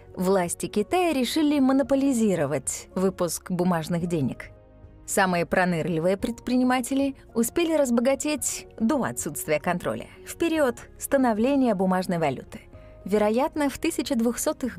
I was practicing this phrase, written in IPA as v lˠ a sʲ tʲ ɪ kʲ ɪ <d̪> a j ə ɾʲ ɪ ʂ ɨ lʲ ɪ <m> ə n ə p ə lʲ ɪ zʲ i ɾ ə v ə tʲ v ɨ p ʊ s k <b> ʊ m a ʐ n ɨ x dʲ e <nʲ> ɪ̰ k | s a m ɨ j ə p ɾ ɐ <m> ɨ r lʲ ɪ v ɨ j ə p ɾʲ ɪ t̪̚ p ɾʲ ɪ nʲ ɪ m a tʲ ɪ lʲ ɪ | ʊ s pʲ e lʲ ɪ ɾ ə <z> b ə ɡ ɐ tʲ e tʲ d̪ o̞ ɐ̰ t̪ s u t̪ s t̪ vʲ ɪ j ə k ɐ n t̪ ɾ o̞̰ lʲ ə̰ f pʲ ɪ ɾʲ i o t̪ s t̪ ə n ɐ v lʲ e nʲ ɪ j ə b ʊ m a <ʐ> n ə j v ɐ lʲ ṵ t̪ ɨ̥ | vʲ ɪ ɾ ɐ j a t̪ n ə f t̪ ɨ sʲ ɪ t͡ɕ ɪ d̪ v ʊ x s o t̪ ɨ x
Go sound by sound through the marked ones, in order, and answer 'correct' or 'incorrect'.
incorrect: t̪, correct, correct, correct, incorrect: n, correct, correct

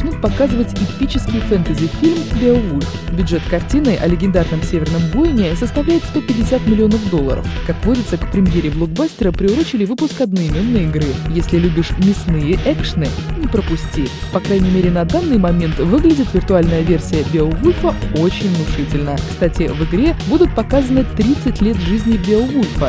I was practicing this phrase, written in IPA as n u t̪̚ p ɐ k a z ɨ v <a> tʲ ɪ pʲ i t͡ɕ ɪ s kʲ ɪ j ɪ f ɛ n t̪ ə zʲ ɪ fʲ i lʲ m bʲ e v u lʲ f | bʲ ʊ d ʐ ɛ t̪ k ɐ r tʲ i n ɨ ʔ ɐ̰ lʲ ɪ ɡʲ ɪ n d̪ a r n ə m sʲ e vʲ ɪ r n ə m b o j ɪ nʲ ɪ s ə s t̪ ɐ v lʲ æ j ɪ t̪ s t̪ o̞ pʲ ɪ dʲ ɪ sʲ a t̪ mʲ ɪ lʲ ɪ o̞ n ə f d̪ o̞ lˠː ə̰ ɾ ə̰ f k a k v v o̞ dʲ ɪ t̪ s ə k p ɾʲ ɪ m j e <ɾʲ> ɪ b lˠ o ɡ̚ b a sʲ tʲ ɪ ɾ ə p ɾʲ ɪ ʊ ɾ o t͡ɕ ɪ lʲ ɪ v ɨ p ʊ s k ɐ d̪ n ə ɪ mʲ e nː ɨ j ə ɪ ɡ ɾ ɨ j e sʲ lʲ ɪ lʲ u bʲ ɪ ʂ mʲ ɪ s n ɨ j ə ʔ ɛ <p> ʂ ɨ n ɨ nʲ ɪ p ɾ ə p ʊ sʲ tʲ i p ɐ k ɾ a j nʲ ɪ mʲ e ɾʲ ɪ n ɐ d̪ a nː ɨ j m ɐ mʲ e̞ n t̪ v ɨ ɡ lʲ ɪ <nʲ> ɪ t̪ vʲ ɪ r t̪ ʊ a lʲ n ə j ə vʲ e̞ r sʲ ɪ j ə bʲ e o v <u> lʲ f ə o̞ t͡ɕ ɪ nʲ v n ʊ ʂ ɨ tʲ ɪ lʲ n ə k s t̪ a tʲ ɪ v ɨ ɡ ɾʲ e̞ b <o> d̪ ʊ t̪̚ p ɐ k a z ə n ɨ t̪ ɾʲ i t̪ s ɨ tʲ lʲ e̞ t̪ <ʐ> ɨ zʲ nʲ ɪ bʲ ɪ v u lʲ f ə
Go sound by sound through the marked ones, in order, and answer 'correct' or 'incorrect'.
incorrect: ə, correct, incorrect: k, incorrect: dʲ, correct, incorrect: u, correct

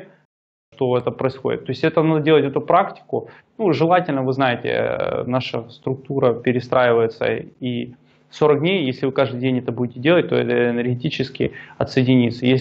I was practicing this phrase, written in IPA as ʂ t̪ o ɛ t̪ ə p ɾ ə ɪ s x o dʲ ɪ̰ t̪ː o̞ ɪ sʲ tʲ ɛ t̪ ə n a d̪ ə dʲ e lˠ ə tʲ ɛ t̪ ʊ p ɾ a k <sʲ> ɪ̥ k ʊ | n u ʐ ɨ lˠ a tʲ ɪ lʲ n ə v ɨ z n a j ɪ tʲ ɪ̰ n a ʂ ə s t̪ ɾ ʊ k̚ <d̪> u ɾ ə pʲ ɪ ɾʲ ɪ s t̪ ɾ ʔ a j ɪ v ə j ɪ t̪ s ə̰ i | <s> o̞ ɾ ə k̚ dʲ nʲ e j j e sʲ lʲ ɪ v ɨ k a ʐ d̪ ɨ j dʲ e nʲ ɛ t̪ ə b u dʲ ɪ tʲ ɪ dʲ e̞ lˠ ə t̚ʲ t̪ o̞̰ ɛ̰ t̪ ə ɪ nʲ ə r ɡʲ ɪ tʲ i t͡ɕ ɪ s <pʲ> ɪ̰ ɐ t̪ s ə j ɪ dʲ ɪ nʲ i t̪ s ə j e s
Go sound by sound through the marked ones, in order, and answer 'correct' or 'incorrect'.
incorrect: tʲ, incorrect: t̪, correct, incorrect: kʲ

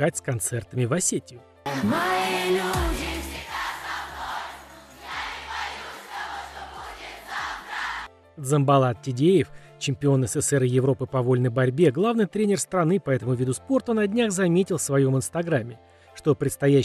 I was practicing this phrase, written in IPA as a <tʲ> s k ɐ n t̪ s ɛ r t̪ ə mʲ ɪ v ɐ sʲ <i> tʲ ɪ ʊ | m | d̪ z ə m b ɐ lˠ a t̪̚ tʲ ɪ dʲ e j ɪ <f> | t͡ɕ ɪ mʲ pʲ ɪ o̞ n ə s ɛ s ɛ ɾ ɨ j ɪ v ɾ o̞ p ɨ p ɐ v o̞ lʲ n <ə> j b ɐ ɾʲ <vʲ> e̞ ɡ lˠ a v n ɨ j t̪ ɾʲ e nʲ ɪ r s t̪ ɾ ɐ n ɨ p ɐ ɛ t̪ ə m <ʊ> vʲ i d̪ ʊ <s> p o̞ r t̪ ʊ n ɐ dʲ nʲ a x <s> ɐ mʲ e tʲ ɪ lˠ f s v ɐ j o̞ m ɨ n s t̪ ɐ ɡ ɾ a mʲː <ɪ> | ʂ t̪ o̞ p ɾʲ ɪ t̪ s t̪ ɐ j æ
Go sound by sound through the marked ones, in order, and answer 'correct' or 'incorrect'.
correct, incorrect: e, correct, correct, incorrect: bʲ, correct, correct, incorrect: z, correct

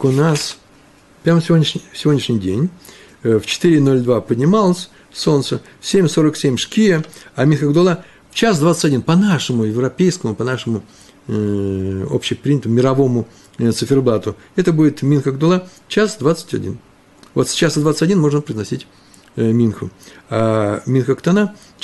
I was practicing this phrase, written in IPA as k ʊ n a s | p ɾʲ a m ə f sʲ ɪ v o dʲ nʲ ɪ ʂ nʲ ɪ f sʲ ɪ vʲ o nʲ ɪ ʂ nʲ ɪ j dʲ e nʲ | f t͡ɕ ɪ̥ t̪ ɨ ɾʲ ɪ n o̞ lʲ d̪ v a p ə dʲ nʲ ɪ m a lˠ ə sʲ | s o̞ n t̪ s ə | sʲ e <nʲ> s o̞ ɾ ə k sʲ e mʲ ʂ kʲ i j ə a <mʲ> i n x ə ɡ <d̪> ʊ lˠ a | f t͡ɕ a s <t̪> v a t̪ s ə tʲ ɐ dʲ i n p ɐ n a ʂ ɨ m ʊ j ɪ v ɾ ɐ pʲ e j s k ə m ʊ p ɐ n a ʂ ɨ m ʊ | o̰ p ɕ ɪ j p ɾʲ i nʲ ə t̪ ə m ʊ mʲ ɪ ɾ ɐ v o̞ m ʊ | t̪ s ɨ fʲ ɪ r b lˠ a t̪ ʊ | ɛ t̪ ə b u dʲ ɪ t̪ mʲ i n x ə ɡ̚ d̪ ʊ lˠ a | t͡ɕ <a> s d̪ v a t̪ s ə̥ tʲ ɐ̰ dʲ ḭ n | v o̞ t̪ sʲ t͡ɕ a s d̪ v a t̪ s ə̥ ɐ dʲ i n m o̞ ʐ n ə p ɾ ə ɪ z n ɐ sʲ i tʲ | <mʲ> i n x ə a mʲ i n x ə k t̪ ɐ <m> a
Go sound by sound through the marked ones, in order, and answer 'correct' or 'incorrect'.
incorrect: mʲ, correct, correct, incorrect: d̪, correct, correct, incorrect: n

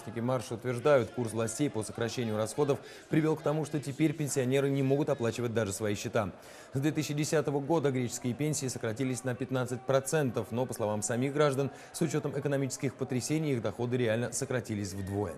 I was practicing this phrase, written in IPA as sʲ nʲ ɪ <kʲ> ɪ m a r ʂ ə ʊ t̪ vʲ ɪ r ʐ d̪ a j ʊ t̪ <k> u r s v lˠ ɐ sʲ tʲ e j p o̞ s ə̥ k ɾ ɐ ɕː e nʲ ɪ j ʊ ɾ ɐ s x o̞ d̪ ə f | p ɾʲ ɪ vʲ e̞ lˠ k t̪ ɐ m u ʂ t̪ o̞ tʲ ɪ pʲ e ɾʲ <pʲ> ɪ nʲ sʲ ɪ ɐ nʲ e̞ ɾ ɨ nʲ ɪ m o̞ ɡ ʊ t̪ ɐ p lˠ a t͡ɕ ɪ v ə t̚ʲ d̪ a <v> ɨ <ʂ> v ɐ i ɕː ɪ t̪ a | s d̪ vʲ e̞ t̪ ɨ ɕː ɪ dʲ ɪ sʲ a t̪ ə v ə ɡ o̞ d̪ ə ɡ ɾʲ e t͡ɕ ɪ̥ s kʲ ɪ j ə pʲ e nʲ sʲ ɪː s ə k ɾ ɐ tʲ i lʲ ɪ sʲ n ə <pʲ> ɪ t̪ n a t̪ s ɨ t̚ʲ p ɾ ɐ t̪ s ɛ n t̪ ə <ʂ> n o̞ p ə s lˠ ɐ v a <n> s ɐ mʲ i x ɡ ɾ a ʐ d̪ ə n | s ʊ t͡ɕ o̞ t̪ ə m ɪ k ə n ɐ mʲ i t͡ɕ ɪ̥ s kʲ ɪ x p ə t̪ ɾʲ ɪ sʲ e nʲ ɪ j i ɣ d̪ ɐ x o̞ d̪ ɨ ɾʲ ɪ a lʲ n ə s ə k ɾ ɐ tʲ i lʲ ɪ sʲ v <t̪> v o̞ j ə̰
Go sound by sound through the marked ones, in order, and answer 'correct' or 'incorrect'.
correct, correct, correct, incorrect: ʐ, incorrect: s, correct, incorrect: f, incorrect: m, incorrect: d̪

